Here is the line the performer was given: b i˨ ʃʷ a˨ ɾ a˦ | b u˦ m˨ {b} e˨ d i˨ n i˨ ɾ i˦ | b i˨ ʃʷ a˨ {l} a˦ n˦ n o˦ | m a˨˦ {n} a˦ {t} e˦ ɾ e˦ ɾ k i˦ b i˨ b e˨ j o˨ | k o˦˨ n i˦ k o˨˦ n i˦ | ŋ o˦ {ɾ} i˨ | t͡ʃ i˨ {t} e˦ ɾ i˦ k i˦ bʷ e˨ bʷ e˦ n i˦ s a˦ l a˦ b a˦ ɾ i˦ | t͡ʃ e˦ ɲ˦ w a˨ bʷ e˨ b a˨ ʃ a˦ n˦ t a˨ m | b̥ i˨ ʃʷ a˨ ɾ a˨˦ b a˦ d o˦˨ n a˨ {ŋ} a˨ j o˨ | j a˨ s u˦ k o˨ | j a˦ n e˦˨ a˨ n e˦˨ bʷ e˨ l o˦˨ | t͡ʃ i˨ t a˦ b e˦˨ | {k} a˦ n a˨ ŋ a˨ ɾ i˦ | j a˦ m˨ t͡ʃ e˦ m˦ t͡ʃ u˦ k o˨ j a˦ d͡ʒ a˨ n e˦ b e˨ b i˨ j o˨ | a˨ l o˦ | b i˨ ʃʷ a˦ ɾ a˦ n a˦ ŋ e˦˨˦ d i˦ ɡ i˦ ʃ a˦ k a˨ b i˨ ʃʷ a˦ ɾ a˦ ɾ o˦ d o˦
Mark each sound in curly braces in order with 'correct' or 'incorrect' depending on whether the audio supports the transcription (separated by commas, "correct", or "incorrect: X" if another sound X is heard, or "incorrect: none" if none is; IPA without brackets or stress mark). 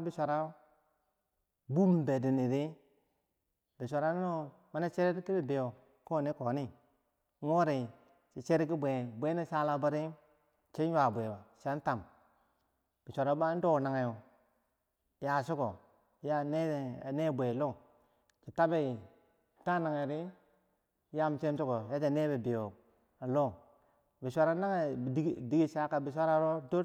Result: correct, incorrect: ɾ, correct, incorrect: t͡ʃ, correct, incorrect: t͡ʃ, correct, incorrect: t